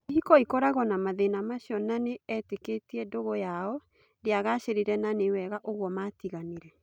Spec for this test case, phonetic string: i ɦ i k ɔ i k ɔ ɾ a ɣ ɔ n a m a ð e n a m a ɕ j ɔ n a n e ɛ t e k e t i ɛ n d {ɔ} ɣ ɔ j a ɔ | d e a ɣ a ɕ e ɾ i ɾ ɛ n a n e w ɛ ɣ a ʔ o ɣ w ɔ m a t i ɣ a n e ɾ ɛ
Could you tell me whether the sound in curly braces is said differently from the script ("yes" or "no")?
yes